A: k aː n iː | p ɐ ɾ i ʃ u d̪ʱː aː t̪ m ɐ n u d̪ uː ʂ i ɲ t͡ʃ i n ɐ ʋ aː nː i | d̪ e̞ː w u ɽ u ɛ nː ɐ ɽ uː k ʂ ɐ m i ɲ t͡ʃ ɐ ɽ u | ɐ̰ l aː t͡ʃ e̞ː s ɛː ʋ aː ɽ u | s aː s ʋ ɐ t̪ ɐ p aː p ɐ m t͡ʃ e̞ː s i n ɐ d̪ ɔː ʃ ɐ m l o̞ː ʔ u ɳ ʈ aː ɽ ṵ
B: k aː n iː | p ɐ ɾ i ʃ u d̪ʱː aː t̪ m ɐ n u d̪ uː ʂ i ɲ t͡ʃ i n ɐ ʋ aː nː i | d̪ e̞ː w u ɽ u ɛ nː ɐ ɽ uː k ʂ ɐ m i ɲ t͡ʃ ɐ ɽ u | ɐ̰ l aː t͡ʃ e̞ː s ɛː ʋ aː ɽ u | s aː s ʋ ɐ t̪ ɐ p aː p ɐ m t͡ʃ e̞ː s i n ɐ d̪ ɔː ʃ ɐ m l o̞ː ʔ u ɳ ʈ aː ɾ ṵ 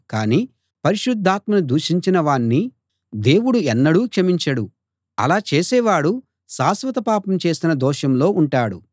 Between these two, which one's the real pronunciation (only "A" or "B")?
A